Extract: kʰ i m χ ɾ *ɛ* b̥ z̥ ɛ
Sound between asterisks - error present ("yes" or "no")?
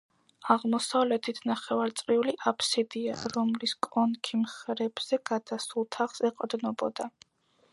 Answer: no